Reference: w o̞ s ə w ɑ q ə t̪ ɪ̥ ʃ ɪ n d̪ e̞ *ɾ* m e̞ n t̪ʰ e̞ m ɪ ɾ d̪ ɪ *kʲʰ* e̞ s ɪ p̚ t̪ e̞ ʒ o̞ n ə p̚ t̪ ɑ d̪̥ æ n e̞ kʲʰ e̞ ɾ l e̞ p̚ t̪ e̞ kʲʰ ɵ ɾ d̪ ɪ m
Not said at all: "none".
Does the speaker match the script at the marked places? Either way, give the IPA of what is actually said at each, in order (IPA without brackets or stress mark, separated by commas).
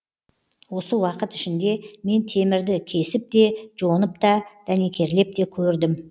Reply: none, kʲʰ